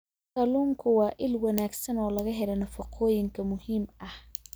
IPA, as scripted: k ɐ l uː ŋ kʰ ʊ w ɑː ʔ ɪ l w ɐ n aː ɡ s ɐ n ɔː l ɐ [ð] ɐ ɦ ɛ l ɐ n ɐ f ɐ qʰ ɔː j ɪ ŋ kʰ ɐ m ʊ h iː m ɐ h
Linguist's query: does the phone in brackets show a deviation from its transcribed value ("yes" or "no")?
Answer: yes